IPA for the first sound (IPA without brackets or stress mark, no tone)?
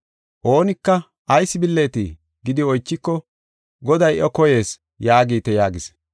ʔ